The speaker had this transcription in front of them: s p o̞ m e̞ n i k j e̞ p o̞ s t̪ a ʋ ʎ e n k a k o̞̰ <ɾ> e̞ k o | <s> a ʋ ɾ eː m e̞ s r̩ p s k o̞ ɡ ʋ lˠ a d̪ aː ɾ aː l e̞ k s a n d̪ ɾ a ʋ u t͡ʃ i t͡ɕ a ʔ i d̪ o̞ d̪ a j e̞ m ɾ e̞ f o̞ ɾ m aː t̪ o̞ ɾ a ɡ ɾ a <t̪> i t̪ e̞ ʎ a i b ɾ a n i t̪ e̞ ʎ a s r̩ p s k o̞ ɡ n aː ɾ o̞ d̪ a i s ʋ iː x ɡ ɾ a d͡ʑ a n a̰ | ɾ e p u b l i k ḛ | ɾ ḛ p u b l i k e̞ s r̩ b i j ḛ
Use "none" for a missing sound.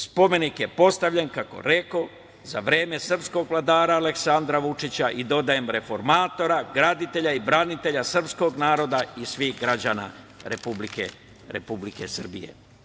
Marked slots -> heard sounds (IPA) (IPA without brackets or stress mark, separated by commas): ɾ, z, d̪